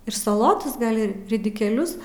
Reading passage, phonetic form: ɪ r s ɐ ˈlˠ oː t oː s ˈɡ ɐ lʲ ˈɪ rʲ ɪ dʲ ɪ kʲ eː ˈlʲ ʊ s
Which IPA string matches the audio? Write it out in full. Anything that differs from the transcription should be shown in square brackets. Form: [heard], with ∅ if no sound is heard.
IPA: ɪ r s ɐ ˈlˠ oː t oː s ˈɡ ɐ lʲ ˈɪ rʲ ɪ dʲ ɪ kʲ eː ˈlʲ ʊ s

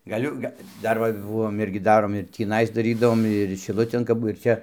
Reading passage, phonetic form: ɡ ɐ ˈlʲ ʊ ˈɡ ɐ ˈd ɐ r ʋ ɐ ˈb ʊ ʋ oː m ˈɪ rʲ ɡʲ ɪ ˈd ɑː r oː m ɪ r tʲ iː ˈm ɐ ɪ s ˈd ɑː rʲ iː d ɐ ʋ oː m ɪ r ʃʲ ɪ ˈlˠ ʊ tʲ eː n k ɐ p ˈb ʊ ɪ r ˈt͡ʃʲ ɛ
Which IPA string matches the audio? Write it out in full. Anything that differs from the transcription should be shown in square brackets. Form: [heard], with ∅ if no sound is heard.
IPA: ɡ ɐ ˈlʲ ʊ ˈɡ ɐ ˈd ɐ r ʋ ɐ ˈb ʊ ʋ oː m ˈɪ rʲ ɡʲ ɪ ˈd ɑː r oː m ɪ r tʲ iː [ˈn] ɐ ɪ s ˈd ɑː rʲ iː d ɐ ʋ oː m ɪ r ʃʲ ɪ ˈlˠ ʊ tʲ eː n k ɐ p ˈb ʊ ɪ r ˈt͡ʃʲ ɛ

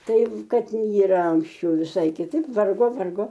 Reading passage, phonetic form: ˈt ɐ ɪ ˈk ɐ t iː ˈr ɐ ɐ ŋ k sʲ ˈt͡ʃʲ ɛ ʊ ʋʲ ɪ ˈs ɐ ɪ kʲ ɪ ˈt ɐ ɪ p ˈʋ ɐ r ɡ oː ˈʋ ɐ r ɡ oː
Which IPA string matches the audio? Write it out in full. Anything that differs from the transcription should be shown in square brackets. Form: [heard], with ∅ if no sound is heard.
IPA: ˈt ɐ ɪ ˈk ɐ t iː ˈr ɐ ɐ ŋ k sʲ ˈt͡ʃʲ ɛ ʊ ʋʲ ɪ ˈs ɐ ɪ kʲ ɪ ˈt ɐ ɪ p ˈʋ ɐ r ɡ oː ˈʋ ɐ r ɡ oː

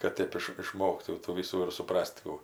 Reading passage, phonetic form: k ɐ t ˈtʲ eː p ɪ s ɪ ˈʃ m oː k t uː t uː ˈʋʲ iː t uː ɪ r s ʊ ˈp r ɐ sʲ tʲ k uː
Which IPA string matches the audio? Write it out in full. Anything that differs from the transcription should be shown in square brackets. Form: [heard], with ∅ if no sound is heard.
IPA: k ɐ t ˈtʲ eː p ɪ [ʃ] ɪ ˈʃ m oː k t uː t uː ˈʋʲ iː [s] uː ɪ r s ʊ ˈp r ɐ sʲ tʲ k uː

